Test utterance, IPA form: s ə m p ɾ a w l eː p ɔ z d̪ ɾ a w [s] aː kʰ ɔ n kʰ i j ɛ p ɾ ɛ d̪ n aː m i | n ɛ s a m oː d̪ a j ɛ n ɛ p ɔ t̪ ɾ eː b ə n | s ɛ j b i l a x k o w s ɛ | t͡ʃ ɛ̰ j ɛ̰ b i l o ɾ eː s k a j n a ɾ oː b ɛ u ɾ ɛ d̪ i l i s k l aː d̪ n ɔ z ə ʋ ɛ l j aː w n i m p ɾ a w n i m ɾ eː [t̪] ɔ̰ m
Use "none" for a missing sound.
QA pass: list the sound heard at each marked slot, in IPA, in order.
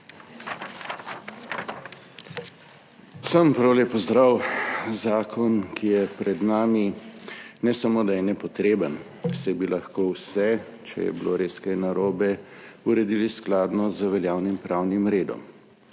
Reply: z, d̪

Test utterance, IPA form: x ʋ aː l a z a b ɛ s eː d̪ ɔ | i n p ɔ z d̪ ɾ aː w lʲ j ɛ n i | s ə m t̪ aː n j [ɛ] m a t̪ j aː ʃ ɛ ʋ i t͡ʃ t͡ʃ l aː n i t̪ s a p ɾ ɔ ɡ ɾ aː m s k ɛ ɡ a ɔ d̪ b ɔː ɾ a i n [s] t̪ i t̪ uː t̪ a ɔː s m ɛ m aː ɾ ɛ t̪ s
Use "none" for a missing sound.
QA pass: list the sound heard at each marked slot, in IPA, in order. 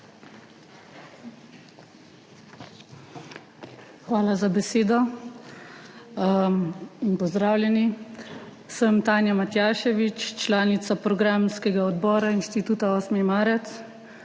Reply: a, ʃ

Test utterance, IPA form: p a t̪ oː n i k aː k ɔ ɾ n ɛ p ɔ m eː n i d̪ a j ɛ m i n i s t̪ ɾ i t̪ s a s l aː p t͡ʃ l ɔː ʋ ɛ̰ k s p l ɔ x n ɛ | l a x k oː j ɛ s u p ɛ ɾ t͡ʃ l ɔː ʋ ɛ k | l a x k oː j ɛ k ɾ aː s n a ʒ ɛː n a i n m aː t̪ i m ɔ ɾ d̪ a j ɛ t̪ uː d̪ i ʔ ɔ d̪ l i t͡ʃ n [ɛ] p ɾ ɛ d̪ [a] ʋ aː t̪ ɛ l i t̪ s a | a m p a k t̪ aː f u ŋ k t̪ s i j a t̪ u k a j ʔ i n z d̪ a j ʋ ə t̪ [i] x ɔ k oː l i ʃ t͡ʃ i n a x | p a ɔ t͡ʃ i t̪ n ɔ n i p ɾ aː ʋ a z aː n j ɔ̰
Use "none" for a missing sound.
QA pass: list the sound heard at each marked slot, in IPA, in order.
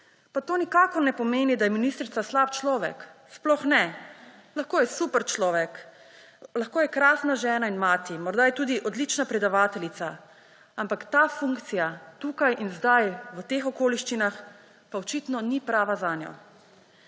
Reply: a, a, e

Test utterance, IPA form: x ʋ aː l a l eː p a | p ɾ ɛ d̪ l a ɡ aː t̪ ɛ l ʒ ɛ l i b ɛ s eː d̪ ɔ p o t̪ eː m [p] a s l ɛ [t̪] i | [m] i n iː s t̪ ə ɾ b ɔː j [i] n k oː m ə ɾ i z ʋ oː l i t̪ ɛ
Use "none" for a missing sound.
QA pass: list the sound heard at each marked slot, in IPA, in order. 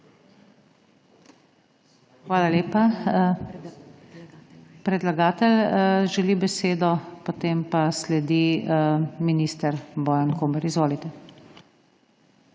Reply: p, d̪, m, a

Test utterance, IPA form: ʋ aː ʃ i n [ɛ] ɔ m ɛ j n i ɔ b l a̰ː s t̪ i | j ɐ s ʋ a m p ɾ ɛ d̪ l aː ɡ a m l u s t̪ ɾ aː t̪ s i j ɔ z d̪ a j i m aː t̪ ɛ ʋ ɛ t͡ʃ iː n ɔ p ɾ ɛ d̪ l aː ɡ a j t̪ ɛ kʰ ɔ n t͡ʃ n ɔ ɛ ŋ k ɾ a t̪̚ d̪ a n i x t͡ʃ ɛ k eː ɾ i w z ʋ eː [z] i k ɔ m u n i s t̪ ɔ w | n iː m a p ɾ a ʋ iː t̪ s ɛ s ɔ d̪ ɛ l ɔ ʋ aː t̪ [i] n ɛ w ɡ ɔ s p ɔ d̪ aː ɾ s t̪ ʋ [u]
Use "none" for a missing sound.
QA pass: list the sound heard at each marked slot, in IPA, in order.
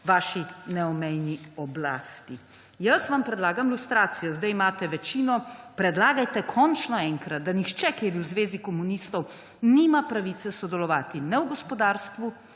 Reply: ɛ, z, i, u

